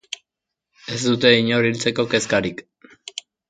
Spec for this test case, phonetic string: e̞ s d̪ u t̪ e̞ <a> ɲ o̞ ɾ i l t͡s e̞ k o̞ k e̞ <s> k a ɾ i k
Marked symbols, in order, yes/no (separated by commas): no, yes